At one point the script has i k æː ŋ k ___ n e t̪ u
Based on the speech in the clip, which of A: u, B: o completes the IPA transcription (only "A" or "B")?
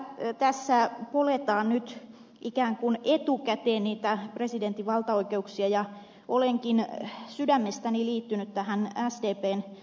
A